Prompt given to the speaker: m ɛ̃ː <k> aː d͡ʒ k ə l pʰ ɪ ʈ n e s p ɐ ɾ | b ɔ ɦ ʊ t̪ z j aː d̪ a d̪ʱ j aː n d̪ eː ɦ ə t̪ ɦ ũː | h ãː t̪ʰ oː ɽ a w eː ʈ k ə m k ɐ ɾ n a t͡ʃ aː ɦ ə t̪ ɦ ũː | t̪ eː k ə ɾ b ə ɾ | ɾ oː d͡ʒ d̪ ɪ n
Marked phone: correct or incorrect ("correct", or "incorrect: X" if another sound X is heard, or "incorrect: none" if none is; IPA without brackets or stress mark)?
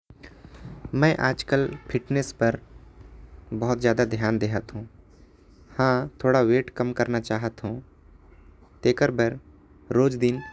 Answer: incorrect: ʔ